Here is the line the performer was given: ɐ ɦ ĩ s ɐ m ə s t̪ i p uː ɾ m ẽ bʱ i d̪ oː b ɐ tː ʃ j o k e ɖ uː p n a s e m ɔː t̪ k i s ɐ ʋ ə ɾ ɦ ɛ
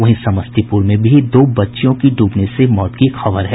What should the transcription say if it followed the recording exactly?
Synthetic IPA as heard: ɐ ɦ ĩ s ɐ m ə s t̪ i p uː ɾ m ẽ bʱ i d̪ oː b ɐ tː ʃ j õ k i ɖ uː p n e s e m ɔː t̪ k i x ɐ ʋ ə ɾ ɦ ɛ